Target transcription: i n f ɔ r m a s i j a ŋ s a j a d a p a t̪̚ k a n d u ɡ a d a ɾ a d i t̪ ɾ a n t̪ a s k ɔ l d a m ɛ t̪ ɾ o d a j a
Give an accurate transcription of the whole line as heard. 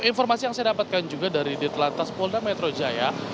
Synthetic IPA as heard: i n f ɔ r m a s i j a ŋ s a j a d a p a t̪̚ k a n d͡ʒ u ɡ a d a ɾ i d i t̪ l a n t̪ a s p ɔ l d a m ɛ t̪ ɾ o d͡ʒ a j a